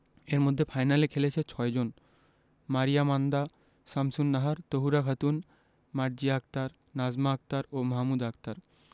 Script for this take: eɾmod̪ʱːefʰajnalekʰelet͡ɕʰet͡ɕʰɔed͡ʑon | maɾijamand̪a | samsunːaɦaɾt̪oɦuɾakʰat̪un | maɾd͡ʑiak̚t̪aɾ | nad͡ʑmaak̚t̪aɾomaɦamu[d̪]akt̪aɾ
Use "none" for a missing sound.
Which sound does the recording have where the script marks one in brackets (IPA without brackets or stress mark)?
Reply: d̪